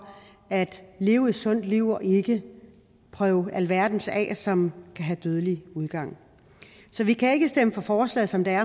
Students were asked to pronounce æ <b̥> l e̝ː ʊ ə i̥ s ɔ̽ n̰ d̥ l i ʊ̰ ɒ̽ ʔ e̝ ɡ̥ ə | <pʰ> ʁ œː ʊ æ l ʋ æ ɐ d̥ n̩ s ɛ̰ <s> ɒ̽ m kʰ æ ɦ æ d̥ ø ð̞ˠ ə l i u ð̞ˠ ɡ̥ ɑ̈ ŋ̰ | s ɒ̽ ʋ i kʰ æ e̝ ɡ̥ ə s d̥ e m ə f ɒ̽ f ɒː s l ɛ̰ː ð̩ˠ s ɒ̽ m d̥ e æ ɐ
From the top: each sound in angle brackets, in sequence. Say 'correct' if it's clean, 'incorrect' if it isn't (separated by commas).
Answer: incorrect, correct, correct